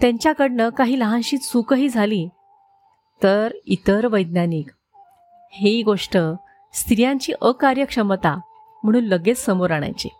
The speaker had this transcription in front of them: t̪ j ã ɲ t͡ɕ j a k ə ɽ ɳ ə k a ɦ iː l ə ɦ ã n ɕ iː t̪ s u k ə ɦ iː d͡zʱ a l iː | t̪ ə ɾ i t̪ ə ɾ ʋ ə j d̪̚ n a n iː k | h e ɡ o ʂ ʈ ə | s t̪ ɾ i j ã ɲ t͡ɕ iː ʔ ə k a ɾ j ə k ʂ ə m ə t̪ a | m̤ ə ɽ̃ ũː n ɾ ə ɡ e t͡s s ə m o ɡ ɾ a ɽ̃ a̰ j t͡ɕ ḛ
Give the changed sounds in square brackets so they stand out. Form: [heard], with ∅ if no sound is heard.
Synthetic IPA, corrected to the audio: t̪ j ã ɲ t͡ɕ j a k ə ɽ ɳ ə k a ɦ iː l ə ɦ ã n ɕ iː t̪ s u k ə ɦ iː d͡zʱ a l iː | t̪ ə ɾ i t̪ ə ɾ ʋ ə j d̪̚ n a n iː k | h e ɡ o ʂ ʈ ə | s t̪ ɾ i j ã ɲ t͡ɕ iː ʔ ə k a ɾ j ə k ʂ ə m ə t̪ a | m̤ ə ɽ̃ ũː n [l] ə ɡ e t͡s s ə m o [∅] ɾ a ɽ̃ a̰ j t͡ɕ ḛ